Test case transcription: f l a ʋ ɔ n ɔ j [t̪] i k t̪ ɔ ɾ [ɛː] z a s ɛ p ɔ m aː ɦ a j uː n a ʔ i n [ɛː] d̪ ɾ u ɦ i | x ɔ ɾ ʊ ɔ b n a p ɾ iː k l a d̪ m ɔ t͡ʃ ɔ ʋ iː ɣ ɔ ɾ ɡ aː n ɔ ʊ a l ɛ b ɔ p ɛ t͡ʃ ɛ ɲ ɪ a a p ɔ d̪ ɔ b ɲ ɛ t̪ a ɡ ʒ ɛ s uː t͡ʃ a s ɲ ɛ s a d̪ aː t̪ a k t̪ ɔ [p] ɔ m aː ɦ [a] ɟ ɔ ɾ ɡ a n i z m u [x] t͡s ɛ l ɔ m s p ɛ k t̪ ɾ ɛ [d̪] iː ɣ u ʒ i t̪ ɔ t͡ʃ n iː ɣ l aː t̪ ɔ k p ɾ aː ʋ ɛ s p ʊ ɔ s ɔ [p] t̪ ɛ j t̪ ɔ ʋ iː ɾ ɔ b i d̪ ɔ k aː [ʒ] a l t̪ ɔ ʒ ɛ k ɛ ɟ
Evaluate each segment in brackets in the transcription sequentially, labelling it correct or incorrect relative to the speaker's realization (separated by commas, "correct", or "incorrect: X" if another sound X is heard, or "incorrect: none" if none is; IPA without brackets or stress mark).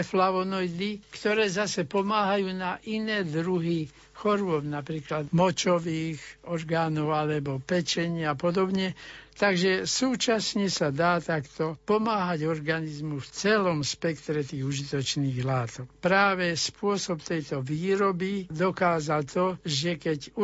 incorrect: d̪, correct, correct, correct, correct, incorrect: f, incorrect: t̪, correct, incorrect: z